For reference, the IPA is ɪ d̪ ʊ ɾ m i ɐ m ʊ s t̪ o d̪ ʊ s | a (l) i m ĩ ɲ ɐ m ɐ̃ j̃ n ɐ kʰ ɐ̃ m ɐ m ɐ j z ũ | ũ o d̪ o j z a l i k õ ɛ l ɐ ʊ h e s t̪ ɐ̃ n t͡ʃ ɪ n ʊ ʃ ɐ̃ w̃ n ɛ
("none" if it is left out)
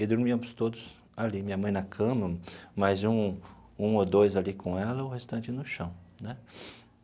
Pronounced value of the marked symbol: l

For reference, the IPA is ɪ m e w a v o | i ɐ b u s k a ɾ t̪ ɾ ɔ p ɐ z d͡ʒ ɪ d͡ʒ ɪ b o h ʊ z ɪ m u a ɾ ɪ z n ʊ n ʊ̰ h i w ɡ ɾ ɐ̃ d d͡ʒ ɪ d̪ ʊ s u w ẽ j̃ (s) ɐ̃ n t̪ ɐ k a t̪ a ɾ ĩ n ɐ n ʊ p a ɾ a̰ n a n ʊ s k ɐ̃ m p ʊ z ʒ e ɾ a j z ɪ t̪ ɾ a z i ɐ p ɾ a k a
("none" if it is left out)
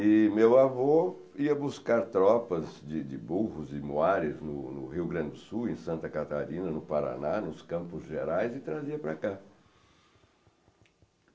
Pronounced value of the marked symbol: s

